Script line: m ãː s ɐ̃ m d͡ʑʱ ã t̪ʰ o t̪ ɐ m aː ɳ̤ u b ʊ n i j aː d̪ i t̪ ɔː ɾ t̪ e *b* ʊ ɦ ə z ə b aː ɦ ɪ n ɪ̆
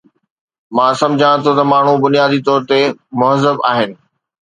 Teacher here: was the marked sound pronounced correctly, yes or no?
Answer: no